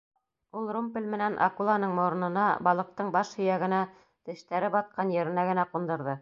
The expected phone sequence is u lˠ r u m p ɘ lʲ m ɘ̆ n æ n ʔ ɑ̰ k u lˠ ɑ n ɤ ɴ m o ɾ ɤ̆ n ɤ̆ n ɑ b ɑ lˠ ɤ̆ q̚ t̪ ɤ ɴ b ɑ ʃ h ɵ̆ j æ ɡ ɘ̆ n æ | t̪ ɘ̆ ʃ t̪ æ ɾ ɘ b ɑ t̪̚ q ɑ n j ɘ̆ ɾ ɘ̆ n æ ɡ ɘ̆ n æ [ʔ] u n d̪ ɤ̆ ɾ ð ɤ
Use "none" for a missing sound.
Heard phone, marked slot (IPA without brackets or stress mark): q